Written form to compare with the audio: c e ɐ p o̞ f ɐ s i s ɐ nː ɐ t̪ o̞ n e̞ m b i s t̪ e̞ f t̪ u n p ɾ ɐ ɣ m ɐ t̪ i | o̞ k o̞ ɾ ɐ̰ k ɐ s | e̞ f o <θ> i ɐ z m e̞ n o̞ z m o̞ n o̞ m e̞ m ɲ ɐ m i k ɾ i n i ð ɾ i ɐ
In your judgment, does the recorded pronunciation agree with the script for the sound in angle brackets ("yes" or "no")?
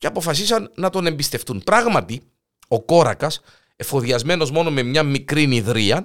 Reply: no